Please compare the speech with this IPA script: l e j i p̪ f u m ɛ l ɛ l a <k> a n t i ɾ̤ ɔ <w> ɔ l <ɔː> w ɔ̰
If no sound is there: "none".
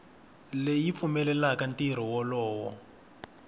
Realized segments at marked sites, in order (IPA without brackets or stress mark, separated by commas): k, w, ɔː